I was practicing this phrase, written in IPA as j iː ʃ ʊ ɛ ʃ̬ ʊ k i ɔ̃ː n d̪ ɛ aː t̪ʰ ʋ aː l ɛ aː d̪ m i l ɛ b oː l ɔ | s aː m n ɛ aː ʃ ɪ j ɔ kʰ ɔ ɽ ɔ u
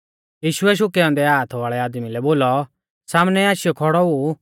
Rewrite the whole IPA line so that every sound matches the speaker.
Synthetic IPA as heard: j iː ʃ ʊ ɛ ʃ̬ ʊ k ɛ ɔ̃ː n d̪ ɛ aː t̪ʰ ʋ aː ɭ ɛ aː d̪ m i l ɛ b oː l ɔ | s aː m n ɛ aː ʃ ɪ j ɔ kʰ ɔ ɽ ɔ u